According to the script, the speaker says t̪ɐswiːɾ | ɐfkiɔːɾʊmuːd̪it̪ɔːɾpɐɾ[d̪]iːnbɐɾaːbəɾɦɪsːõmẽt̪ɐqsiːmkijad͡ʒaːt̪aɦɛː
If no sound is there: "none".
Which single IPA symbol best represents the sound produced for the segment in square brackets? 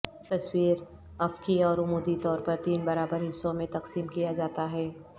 t̪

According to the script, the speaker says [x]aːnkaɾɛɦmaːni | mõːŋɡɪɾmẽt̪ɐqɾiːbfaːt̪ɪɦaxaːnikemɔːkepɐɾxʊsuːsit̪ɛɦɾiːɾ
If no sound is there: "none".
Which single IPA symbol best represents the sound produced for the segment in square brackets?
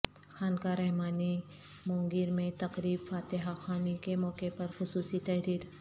x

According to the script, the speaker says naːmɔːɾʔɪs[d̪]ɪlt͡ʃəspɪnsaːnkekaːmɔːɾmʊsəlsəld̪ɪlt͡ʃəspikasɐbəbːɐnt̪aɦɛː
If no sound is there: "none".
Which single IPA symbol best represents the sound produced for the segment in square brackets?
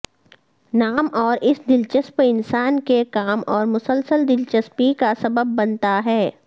d̪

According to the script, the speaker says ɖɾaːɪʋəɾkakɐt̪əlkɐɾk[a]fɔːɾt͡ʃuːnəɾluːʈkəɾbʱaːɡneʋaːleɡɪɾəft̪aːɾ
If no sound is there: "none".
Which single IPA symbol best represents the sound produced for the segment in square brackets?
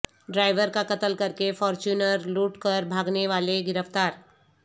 e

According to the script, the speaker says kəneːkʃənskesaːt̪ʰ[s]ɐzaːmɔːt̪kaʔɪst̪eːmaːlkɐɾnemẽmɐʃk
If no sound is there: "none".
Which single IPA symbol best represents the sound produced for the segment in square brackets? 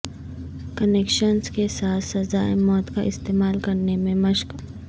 s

